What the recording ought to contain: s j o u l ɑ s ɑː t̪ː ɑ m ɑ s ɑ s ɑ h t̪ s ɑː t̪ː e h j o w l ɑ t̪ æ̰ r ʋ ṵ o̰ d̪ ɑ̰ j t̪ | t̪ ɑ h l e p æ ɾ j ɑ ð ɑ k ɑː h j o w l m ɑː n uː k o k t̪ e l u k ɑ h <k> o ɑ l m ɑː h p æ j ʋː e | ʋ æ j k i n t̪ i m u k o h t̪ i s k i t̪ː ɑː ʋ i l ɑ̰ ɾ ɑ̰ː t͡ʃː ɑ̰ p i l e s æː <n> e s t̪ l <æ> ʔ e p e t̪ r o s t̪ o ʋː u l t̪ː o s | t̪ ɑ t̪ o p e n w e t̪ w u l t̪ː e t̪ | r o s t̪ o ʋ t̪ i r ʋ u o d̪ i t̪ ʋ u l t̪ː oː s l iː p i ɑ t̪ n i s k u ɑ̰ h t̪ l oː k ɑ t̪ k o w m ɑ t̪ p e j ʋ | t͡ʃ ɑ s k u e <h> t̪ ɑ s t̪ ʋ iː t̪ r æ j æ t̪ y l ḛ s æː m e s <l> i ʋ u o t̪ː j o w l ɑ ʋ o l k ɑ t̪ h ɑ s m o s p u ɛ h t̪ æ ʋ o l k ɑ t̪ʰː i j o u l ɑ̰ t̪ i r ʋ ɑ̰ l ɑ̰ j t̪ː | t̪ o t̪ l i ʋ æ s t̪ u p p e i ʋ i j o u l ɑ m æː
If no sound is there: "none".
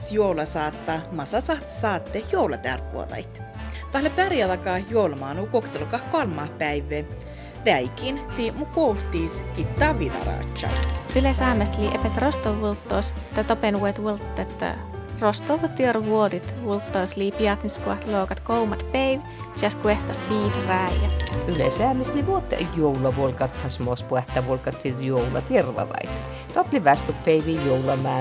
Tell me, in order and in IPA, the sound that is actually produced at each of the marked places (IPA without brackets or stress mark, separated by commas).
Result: k, m, i, h, l